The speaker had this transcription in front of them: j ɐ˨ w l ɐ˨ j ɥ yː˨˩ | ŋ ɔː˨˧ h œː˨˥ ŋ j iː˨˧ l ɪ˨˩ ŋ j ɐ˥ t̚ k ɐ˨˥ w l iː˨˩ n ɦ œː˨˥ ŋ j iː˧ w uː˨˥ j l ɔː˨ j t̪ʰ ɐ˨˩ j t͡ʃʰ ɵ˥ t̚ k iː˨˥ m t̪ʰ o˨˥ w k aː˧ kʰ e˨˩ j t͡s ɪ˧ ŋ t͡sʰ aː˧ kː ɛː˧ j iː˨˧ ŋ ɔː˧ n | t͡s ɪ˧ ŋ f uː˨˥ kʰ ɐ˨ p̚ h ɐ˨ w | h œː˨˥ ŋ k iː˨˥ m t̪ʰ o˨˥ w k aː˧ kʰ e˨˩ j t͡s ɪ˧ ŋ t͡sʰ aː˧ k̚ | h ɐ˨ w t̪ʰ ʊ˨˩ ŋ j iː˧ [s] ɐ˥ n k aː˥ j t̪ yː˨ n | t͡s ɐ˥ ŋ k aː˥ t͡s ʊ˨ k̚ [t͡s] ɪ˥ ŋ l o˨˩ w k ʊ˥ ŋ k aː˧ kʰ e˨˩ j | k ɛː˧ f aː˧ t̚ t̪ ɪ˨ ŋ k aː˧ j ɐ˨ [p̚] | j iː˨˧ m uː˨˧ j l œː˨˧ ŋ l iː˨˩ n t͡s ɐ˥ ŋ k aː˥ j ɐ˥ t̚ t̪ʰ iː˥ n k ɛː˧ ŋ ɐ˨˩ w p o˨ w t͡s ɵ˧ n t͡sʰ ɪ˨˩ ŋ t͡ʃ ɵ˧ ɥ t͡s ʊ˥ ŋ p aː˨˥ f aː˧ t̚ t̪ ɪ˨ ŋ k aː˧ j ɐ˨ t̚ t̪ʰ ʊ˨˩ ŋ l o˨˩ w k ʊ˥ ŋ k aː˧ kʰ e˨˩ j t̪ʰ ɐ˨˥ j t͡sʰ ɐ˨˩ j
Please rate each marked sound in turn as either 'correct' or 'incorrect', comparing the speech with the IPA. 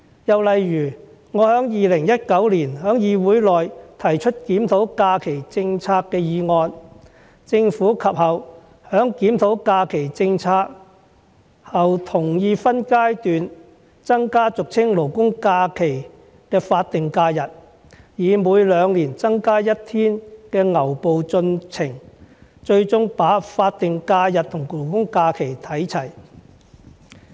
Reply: incorrect, incorrect, incorrect

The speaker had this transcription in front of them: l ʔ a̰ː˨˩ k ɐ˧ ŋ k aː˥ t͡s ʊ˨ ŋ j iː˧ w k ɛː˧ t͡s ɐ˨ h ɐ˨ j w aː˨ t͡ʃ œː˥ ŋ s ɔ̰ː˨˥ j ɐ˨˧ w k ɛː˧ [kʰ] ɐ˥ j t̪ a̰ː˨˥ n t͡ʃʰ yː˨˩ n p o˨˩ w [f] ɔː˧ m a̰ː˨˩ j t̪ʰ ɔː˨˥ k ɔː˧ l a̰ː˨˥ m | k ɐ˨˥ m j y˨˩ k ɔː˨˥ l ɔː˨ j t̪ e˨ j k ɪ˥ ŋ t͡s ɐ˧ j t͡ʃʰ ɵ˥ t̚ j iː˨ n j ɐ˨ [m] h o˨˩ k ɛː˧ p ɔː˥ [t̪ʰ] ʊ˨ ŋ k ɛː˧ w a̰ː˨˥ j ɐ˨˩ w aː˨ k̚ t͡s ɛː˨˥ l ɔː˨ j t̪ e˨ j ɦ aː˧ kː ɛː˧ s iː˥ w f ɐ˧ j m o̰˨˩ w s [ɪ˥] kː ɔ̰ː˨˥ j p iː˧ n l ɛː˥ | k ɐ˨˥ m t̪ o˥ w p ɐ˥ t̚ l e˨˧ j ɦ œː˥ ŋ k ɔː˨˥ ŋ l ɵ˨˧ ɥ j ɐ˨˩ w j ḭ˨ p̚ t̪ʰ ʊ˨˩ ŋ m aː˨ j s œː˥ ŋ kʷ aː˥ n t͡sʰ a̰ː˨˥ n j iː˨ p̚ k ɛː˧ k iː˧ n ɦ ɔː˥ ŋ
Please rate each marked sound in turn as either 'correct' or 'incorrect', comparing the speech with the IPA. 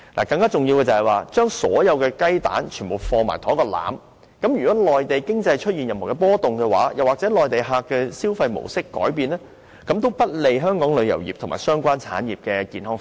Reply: incorrect, correct, correct, incorrect, correct

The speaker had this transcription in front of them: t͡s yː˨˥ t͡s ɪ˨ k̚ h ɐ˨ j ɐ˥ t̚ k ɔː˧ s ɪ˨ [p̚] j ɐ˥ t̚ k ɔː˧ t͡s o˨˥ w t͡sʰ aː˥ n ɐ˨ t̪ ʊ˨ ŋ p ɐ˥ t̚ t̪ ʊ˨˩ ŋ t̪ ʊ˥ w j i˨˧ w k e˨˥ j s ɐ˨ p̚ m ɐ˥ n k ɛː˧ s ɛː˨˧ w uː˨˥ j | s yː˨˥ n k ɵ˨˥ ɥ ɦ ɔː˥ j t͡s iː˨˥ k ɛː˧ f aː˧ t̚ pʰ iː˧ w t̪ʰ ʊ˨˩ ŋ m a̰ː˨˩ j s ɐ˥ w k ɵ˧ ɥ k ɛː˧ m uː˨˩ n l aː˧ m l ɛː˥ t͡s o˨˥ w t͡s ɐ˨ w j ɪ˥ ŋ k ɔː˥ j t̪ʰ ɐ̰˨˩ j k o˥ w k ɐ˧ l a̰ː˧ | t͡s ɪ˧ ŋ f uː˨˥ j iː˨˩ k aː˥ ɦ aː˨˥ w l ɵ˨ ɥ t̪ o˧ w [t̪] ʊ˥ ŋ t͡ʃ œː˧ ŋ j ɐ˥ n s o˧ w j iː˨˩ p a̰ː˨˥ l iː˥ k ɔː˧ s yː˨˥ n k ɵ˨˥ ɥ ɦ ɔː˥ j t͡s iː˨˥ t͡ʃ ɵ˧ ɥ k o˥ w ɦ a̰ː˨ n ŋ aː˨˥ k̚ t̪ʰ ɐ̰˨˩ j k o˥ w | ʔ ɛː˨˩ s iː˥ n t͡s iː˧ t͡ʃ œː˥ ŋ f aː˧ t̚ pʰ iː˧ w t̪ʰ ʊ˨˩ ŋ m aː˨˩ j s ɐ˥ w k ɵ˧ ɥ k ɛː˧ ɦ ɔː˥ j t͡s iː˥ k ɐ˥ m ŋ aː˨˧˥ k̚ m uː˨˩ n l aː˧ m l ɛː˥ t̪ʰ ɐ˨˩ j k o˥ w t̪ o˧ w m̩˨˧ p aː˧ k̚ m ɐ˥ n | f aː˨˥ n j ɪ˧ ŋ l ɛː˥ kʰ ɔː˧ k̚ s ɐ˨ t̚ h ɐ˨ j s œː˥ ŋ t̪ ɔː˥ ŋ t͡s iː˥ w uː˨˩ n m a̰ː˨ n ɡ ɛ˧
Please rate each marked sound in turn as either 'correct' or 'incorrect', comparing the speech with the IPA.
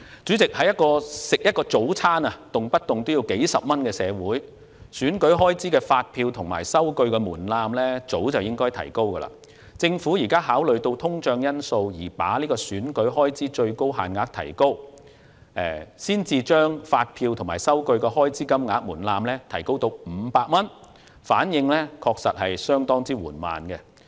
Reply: incorrect, incorrect

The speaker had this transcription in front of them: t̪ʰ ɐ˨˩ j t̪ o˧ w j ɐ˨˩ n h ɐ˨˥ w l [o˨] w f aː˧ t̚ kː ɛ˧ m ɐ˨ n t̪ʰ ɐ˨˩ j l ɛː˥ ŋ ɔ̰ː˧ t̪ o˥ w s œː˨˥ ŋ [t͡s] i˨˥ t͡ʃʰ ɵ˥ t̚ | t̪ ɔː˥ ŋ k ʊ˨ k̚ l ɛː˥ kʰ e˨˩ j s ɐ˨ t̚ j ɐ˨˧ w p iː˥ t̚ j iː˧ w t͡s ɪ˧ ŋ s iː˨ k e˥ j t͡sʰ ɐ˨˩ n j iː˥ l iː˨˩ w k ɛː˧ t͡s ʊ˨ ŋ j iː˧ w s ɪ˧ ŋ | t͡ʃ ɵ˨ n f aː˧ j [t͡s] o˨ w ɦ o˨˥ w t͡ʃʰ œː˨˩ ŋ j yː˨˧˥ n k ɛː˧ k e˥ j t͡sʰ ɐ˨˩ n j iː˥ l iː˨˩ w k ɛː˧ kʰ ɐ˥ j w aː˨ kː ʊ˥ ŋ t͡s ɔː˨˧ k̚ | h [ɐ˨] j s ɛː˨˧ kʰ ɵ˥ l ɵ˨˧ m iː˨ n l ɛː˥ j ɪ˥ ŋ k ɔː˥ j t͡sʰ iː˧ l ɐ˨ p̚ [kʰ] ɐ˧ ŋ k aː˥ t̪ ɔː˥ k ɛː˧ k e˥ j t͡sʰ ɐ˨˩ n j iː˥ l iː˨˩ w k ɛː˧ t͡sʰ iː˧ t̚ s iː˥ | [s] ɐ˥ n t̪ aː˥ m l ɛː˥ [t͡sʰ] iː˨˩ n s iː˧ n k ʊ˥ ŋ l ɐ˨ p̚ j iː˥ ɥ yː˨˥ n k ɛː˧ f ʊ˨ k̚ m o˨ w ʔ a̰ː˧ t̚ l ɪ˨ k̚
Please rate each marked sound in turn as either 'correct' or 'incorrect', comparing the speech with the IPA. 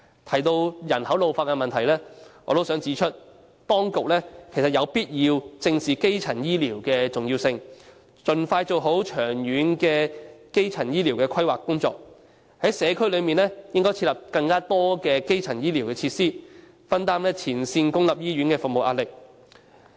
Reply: correct, correct, correct, incorrect, incorrect, incorrect, correct

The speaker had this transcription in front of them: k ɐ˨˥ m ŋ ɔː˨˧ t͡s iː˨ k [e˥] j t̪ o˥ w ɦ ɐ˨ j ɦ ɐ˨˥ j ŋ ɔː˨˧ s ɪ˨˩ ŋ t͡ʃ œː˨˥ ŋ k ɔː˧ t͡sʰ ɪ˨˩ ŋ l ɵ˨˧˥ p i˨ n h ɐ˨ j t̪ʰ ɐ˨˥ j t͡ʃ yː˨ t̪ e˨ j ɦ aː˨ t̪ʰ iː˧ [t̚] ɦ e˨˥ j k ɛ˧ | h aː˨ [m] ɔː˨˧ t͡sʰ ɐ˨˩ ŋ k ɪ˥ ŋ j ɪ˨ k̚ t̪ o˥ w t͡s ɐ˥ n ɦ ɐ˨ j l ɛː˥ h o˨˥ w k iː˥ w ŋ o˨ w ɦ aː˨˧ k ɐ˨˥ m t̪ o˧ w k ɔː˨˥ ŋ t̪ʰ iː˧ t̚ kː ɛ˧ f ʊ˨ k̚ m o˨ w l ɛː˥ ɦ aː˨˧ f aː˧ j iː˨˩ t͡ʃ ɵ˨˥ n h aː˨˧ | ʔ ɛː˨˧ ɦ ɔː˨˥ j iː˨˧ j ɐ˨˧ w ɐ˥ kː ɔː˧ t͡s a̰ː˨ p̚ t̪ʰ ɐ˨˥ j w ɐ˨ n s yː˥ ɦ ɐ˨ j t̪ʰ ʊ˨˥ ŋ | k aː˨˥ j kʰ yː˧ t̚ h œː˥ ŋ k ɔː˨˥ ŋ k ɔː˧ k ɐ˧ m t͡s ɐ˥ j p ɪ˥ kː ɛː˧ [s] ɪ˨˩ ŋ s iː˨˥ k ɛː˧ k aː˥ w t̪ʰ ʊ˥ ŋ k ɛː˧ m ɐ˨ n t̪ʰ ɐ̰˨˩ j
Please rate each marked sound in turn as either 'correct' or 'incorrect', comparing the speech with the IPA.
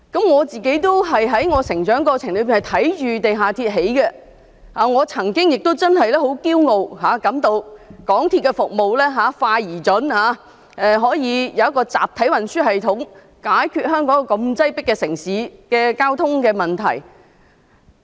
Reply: incorrect, correct, incorrect, correct

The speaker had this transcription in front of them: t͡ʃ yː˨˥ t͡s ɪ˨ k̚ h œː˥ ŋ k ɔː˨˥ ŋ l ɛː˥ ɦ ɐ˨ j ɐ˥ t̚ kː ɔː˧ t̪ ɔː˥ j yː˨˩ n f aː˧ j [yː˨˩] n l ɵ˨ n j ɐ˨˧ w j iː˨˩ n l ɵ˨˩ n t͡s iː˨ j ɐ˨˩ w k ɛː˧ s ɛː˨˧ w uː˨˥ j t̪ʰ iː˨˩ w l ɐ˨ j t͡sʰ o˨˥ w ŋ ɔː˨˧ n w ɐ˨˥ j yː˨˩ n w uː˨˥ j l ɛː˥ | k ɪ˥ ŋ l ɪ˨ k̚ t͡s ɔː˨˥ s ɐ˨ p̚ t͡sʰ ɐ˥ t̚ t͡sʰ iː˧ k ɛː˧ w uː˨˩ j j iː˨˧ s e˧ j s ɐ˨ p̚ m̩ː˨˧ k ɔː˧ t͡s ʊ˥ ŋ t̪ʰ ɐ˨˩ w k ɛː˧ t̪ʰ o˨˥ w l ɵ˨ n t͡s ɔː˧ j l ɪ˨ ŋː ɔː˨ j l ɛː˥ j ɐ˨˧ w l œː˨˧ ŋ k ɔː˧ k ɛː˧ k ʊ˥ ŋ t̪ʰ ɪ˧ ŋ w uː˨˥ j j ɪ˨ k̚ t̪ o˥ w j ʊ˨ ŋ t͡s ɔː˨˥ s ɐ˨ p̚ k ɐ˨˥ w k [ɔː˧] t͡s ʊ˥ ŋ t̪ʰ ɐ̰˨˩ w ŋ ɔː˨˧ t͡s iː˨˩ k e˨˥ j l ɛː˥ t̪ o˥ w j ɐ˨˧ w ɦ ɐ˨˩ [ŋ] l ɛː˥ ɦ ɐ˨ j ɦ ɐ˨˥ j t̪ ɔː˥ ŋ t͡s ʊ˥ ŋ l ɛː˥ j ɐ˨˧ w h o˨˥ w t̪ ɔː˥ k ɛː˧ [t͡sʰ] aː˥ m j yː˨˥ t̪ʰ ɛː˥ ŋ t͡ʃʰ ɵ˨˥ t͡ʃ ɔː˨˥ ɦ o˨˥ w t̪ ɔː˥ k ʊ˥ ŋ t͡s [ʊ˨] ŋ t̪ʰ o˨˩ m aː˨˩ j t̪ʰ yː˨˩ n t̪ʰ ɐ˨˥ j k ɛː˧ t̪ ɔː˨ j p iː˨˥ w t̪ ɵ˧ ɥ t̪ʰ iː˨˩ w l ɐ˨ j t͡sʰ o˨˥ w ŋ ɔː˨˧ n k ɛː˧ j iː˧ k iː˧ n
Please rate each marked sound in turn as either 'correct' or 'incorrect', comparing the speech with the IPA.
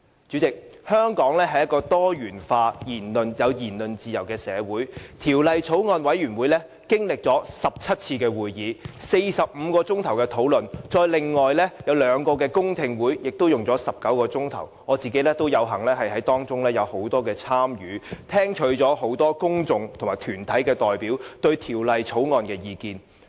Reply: incorrect, correct, correct, correct, correct

